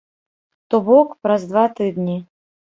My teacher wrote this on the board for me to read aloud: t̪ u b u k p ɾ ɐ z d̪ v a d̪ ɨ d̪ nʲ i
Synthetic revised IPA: t̪ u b ɔ k p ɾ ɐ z d̪ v a t̪ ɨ d̪ nʲ i